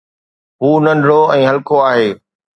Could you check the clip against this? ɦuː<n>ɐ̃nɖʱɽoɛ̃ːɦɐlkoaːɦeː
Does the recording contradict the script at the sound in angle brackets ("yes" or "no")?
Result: no